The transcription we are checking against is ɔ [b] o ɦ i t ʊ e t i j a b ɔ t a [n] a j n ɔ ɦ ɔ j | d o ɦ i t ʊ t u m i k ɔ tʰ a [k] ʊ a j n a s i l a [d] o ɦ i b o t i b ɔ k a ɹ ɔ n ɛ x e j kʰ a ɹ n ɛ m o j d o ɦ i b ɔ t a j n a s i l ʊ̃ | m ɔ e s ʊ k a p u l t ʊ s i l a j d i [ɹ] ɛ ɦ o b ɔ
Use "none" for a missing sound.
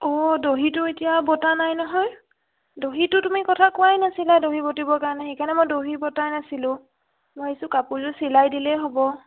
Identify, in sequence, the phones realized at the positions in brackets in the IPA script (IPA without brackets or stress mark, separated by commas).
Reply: d, n, k, d, l